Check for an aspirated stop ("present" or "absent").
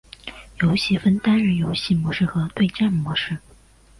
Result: absent